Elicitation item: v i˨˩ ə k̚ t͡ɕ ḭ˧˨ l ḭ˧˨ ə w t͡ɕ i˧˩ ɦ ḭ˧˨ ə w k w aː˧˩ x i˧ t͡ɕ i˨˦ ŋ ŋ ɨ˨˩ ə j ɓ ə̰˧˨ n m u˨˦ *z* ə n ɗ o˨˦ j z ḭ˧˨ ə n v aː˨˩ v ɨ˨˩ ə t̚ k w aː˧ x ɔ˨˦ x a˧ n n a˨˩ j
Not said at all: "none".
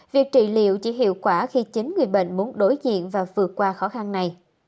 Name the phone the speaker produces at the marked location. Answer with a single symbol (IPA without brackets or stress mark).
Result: none